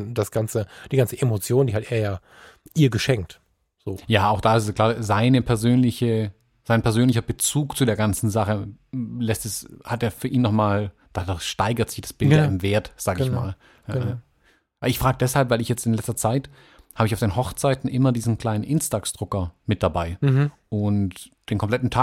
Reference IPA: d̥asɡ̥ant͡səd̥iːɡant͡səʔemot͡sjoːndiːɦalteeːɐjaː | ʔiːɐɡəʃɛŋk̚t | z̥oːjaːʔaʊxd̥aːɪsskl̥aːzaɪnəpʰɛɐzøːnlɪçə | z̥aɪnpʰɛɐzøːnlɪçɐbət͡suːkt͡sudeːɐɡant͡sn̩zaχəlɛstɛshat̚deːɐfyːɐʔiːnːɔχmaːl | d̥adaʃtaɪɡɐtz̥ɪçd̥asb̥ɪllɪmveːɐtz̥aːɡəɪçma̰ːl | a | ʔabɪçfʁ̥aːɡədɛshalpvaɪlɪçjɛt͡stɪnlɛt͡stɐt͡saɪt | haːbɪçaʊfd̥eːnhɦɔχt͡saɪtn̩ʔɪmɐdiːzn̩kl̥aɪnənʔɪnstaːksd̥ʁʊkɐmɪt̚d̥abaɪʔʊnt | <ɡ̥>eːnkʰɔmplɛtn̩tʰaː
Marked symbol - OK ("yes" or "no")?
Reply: no